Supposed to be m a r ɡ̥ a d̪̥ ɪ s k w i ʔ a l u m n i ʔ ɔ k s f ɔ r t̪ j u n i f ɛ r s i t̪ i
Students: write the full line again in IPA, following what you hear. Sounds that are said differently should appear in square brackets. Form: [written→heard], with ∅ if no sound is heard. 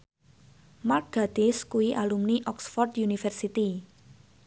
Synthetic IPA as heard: m a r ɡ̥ a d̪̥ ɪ s k [w→u] i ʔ a l u m n i ʔ ɔ k s f ɔ r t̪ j u n i f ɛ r s i t̪ i